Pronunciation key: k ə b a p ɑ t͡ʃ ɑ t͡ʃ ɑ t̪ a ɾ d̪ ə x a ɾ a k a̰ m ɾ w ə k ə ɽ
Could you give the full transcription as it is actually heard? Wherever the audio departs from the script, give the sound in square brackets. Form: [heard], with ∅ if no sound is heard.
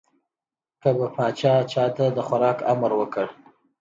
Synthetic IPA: k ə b a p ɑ t͡ʃ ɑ t͡ʃ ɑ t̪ a [∅] d̪ ə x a ɾ [ɑ] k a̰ m ɾ w ə k ə ɽ